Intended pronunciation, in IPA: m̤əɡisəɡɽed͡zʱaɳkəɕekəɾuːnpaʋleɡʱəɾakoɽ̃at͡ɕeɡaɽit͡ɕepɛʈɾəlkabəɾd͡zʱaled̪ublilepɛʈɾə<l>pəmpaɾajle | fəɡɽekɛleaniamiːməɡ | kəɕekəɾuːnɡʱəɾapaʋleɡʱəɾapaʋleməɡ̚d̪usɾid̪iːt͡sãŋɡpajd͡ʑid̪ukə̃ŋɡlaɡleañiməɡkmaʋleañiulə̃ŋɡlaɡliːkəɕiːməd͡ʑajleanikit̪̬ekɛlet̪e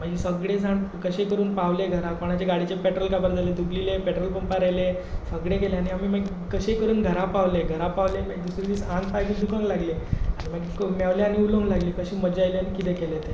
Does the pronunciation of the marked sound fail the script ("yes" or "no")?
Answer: no